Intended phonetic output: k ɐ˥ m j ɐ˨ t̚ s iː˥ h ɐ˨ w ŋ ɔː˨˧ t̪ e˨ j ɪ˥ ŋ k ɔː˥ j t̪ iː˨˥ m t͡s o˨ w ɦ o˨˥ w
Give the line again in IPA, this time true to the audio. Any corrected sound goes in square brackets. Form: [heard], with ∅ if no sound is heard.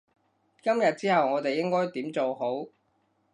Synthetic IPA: k ɐ˥ m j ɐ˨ t̚ [t͡s] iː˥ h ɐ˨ w ŋ ɔː˨˧ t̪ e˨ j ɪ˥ ŋ k ɔː˥ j t̪ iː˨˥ m t͡s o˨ w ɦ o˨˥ w